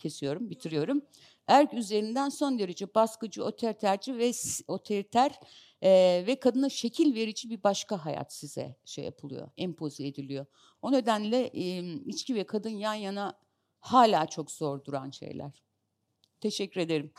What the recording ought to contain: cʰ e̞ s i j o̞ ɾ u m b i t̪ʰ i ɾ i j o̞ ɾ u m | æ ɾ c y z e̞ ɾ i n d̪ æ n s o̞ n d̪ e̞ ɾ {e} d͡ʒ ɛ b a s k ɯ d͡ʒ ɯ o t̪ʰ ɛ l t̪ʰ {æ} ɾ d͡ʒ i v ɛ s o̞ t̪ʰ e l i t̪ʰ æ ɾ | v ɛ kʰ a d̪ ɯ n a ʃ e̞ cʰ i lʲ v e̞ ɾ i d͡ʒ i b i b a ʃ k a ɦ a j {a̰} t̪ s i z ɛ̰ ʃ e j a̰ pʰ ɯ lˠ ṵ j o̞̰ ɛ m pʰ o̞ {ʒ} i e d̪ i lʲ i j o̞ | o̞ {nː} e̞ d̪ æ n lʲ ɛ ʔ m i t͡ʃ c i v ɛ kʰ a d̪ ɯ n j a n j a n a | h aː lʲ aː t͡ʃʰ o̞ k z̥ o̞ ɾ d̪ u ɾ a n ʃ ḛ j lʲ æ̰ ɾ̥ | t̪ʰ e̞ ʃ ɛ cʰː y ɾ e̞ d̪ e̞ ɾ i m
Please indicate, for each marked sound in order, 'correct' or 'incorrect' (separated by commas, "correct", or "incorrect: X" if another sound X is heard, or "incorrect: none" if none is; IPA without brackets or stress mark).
correct, correct, correct, incorrect: z, incorrect: n